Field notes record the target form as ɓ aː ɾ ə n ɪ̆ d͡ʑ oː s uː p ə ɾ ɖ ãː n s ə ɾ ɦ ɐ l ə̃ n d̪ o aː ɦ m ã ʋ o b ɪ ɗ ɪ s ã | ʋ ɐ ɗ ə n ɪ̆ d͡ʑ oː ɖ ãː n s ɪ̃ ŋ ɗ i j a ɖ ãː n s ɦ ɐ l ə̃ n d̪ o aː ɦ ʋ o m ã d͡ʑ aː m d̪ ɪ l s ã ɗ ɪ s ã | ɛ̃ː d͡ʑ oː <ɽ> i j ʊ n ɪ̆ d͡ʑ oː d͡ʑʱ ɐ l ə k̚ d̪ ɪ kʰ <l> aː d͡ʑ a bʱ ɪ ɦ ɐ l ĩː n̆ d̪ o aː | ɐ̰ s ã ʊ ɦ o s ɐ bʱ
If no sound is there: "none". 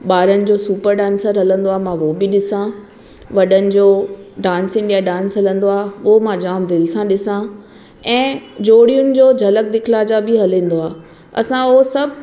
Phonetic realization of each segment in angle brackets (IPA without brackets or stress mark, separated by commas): ɽ, l